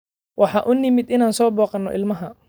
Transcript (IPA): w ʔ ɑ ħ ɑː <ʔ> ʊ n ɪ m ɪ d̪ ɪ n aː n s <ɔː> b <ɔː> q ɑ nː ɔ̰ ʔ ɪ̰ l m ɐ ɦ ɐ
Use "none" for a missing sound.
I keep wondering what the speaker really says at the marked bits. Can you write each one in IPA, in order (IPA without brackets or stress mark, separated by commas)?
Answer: ʔ, ɔː, ɔː